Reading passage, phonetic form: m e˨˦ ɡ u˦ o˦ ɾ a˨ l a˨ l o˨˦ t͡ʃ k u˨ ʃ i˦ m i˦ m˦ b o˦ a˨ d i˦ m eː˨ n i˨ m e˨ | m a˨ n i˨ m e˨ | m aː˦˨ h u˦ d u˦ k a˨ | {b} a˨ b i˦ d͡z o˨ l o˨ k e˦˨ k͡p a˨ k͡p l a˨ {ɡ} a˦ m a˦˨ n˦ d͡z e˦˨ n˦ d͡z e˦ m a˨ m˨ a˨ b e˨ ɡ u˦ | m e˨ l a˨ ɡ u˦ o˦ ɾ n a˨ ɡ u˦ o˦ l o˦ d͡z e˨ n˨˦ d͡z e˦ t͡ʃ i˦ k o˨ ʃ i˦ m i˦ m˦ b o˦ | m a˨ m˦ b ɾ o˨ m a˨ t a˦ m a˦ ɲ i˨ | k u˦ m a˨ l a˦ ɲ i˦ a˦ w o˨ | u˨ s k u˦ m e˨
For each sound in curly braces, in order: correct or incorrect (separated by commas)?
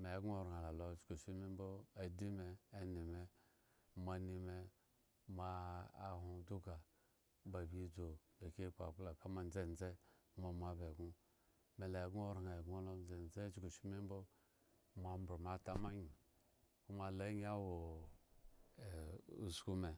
correct, incorrect